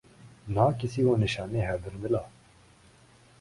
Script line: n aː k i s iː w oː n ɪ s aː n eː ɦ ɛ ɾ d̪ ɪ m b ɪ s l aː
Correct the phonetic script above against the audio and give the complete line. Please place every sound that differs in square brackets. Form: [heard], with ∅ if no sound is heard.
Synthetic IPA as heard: n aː k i s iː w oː n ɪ [ʃ] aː n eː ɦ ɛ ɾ d̪ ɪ [n] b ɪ [∅] l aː